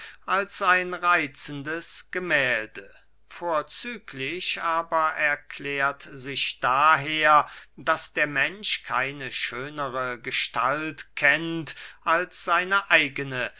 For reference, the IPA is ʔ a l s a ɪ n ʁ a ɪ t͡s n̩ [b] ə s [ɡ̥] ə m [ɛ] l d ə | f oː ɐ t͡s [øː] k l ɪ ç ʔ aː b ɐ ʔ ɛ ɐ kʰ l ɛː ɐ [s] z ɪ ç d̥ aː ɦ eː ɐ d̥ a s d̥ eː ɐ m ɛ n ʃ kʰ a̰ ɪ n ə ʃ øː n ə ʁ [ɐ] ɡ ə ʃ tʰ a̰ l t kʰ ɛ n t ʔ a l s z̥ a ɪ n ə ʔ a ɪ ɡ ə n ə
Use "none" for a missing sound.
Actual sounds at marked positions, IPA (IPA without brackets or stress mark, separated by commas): d, ɡ̥, ɛː, yː, t, ə